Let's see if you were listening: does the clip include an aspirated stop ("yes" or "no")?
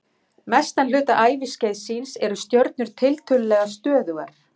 yes